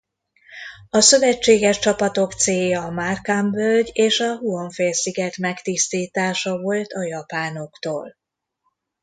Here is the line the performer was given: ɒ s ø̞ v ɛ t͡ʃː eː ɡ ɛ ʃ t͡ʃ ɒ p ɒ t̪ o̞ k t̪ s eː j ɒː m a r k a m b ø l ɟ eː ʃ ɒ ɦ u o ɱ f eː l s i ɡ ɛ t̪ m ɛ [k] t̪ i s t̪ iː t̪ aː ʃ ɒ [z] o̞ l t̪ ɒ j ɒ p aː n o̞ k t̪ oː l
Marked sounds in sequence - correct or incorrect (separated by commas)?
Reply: correct, incorrect